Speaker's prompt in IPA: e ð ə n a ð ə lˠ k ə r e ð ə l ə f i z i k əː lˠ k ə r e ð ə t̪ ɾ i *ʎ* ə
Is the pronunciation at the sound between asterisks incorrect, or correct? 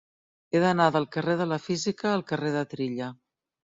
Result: correct